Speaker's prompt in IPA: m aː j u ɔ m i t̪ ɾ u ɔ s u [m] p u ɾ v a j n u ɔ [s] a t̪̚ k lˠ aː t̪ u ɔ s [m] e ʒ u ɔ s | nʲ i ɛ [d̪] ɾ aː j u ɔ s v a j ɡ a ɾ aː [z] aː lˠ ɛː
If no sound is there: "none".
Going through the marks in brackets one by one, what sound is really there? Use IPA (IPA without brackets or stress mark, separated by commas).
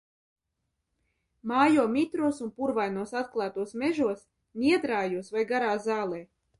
n, s, m, d̪, z